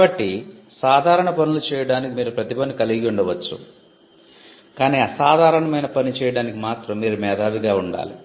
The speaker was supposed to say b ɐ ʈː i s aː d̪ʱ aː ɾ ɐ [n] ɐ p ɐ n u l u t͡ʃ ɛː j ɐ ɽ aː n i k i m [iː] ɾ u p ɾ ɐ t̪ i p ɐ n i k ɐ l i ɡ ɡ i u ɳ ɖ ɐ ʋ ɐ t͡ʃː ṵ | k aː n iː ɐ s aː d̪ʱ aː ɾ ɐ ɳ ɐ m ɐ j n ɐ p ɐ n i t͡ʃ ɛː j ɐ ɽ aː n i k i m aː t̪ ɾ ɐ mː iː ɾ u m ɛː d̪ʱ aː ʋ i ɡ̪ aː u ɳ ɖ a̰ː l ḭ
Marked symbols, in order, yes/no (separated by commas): no, yes